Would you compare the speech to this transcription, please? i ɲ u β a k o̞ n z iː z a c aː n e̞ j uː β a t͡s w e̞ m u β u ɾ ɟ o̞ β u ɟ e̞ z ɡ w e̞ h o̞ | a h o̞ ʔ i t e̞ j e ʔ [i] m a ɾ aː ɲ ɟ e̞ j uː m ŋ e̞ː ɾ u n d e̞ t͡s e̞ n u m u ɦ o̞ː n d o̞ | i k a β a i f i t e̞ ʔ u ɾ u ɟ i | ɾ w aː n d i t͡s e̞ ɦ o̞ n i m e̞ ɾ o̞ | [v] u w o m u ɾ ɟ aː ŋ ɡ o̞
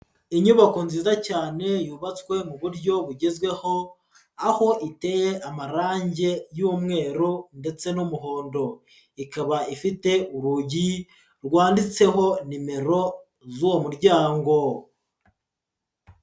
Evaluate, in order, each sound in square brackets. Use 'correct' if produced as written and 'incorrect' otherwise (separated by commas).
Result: incorrect, incorrect